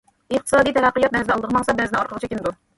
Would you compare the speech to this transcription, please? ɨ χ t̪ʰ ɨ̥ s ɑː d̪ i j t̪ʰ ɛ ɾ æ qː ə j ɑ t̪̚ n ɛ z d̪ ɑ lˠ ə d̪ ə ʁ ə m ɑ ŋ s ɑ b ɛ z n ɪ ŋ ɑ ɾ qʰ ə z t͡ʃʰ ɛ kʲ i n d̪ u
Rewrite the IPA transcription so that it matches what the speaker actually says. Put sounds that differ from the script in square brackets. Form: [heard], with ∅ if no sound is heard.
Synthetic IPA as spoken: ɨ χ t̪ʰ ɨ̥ s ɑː d̪ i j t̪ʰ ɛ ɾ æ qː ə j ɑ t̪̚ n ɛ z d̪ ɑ lˠ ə d̪ ə ʁ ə m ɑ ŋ s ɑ b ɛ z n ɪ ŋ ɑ ɾ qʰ ə [ʁ] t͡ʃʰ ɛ kʲ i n d̪ u